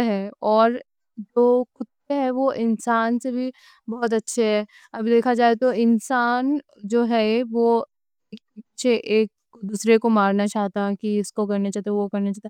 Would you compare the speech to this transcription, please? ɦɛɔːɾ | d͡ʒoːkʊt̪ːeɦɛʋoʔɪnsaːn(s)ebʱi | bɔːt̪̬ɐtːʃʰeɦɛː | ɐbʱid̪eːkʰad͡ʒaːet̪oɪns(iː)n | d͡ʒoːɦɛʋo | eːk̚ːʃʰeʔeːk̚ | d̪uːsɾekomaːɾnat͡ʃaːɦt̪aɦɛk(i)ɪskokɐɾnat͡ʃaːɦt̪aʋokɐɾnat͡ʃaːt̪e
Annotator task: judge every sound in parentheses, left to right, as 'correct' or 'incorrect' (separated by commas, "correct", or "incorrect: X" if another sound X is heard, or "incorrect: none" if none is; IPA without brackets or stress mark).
correct, incorrect: aː, correct